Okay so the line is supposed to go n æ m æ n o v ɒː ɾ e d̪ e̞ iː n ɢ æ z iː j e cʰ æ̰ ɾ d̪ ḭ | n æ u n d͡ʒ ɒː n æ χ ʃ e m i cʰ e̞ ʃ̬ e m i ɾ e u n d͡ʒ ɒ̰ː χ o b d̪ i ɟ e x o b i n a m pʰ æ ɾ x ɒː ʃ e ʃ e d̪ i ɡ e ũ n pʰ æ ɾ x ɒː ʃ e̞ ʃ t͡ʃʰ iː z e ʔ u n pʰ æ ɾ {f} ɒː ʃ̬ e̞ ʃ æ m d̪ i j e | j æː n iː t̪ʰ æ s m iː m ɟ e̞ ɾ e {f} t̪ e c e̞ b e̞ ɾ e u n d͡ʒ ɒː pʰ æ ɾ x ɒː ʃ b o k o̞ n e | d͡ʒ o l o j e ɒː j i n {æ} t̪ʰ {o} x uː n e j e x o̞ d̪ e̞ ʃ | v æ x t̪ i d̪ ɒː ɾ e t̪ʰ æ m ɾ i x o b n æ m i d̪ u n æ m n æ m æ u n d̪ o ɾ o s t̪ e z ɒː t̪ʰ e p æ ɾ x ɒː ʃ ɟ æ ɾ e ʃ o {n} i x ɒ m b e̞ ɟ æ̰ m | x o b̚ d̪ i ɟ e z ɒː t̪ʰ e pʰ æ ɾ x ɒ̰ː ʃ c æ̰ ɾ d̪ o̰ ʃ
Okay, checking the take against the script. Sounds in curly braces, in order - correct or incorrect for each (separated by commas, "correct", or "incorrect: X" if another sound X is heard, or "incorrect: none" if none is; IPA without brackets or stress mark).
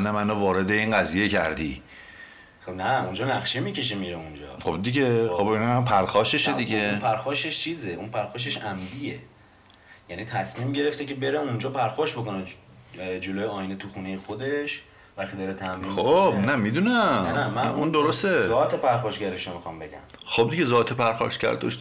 incorrect: x, correct, incorrect: e, incorrect: u, incorrect: m